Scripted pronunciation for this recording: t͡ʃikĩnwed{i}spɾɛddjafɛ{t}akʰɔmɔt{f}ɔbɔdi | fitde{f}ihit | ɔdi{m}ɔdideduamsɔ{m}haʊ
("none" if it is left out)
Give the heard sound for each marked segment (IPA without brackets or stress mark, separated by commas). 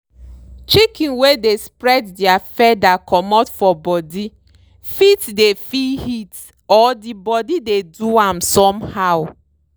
e, d, f, f, b, m